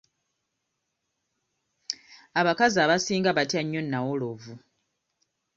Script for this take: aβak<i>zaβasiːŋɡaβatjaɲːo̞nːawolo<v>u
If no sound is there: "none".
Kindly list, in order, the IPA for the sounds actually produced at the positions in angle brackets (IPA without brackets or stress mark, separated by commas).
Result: a, v